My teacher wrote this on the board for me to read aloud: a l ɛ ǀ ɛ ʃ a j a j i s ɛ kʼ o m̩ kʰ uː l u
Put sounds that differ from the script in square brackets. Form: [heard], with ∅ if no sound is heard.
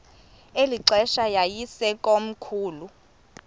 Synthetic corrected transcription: [e] l [i] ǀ ɛ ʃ a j a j i s ɛ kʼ o m̩ kʰ uː l u

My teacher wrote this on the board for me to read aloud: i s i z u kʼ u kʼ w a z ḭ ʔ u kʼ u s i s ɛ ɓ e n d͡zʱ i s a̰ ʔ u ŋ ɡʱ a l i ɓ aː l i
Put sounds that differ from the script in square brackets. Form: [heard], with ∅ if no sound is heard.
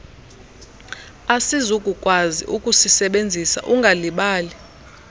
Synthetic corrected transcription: [a] s i z u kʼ u kʼ w a z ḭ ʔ u kʼ u s i s ɛ ɓ e n d͡zʱ i s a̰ ʔ u ŋ ɡʱ a l i ɓ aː l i

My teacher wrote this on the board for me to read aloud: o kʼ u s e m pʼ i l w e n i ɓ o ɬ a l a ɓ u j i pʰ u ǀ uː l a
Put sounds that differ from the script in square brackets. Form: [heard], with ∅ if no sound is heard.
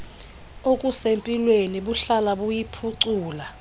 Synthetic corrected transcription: o kʼ u s e m pʼ i l w e n i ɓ [u] ɬ a l a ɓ u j i pʰ u ǀ uː l a

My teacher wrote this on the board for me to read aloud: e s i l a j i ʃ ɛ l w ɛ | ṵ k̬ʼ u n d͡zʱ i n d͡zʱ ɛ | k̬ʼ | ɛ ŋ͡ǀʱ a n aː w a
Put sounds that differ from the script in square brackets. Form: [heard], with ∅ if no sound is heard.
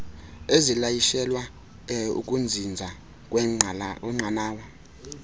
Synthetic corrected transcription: e [z] i l a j i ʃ ɛ l w [a] | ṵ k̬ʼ u n d͡zʱ i n d͡zʱ [a] | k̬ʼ | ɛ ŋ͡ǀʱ a n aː w a

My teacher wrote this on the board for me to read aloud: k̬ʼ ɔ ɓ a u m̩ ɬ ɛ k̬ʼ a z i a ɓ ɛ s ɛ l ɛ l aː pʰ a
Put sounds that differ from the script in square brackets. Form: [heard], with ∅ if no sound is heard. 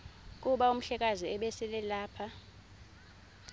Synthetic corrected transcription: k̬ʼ [u] ɓ a u m̩ ɬ ɛ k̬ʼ a z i [ɛ] ɓ ɛ s ɛ l ɛ l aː pʰ a

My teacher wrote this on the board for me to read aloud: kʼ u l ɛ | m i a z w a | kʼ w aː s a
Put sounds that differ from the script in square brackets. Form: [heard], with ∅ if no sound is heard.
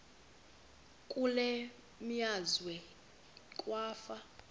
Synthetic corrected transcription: kʼ u l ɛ | m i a z w [ɛ] | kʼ w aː [f] a

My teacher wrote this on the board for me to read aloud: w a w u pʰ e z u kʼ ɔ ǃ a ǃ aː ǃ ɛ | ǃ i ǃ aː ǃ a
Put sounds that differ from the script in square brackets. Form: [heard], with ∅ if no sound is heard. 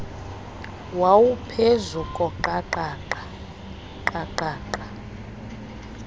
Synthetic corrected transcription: w a w u pʰ e z u kʼ ɔ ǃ a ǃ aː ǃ [a] | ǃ [a] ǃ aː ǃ a

